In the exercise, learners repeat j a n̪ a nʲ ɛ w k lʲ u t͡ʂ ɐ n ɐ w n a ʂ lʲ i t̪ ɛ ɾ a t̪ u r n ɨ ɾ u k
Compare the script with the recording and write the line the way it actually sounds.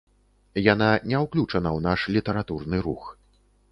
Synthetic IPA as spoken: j a n̪ a nʲ ɛ w k lʲ u t͡ʂ ɐ n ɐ w n a ʂ lʲ i t̪ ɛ ɾ a t̪ u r n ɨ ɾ u x